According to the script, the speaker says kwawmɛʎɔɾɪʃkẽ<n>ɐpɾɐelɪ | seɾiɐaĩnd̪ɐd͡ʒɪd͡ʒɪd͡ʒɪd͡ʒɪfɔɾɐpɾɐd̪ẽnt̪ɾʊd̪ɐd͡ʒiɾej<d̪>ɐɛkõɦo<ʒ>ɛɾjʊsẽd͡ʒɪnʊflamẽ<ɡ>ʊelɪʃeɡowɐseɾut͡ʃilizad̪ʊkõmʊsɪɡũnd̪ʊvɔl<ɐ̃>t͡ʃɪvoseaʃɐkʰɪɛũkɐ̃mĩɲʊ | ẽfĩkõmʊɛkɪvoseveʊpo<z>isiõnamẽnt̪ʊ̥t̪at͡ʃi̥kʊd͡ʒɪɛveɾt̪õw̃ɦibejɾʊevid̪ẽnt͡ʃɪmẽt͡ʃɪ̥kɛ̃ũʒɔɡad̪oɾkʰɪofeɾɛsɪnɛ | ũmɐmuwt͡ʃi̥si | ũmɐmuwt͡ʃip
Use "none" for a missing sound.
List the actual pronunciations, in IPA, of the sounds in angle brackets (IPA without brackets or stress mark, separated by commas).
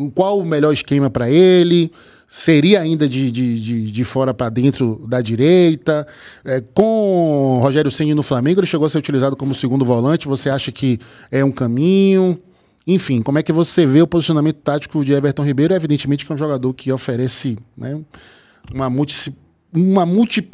m, t̪, ʒ, ɡ, ɐ̃, z